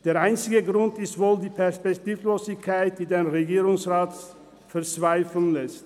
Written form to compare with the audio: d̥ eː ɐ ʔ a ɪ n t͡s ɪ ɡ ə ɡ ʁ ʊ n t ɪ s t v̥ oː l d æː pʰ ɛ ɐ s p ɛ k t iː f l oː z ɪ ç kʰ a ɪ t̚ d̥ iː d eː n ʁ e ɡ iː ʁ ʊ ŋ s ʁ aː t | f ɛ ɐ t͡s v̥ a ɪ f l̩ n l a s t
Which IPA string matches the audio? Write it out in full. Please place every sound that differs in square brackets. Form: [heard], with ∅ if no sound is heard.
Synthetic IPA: d̥ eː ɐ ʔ a ɪ n t͡s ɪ ɡ ə ɡ ʁ ʊ n t ɪ s t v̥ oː l d [iː] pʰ ɛ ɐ s p ɛ k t iː f l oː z ɪ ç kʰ a ɪ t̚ d̥ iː d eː n ʁ e ɡ iː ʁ ʊ ŋ s ʁ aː t | f ɛ ɐ t͡s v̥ a ɪ f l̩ n l [ɛ] s t